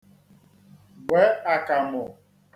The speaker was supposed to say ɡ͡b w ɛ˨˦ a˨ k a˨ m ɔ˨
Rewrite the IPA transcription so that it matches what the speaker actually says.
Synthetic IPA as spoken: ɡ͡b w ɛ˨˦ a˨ k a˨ m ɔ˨